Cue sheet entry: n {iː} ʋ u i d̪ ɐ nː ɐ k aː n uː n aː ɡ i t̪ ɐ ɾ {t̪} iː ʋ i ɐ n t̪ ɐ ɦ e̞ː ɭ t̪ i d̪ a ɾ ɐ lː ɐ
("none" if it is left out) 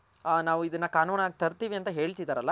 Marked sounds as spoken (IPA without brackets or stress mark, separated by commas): aː, t̪